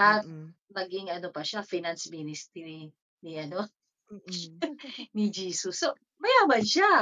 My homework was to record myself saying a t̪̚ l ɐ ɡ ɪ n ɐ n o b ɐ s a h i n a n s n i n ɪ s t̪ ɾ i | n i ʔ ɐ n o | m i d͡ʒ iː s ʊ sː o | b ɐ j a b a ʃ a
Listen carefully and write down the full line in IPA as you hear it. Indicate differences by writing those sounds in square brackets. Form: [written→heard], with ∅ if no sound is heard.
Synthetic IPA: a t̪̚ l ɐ ɡ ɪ [n→ŋ] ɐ n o [b→p] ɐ [s→ʃ] a [h→f] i n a n s [n→m] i n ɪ s t̪ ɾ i | n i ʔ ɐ n o | [m→n] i d͡ʒ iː s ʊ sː o | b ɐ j a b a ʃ a